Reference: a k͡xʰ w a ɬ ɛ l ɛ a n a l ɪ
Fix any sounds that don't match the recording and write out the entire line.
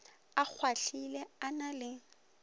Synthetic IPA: a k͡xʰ w a ɬ i l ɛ a n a l ɪ